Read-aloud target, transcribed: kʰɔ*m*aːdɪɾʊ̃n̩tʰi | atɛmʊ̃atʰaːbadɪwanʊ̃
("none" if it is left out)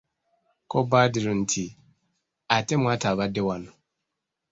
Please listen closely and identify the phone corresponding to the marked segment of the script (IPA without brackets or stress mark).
b